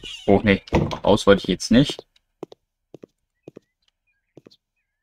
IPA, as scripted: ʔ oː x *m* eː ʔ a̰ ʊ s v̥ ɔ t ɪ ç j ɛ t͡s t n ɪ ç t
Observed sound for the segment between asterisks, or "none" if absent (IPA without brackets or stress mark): n